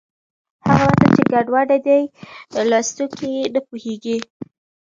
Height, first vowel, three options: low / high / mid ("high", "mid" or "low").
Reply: low